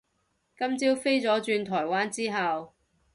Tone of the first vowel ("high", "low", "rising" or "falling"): high